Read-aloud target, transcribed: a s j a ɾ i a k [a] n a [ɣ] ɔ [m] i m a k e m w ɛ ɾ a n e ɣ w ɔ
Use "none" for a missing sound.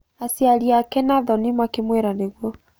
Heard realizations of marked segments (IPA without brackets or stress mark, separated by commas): ɛ, ð, n